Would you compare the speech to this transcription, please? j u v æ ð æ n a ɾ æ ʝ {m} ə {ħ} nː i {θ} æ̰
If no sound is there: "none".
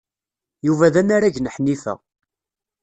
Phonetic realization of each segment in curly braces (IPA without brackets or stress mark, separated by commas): n, ħ, f